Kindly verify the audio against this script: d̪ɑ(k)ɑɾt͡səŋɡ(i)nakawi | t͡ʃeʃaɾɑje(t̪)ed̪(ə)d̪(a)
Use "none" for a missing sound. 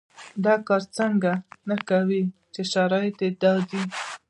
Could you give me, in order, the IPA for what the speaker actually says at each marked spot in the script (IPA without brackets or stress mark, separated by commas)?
k, a, t̪, ɑ, i